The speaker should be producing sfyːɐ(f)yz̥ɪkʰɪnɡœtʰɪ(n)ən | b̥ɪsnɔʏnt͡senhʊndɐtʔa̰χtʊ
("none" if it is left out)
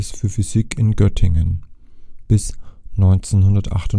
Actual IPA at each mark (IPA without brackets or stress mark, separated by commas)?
f, ŋ